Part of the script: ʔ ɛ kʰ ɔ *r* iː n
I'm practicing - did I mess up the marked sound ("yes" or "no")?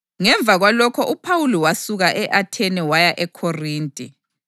no